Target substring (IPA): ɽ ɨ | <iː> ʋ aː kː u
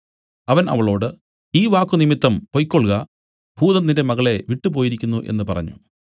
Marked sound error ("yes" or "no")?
no